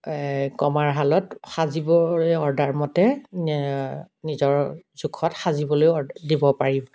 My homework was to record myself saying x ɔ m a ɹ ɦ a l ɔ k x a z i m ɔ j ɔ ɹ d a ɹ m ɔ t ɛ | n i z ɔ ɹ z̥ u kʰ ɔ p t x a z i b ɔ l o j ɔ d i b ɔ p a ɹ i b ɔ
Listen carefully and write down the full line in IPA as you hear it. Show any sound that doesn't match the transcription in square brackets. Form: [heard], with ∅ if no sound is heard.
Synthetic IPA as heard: [k] ɔ m a ɹ ɦ a l ɔ [t] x a z i [b] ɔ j ɔ ɹ d a ɹ m ɔ t ɛ | n i z ɔ ɹ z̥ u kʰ ɔ [∅] t x a z i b ɔ l o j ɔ d i b ɔ p a ɹ i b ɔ